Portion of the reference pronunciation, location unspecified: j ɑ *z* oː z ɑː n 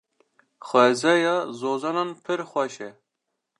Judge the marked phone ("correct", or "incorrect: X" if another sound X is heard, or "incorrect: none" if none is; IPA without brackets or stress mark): correct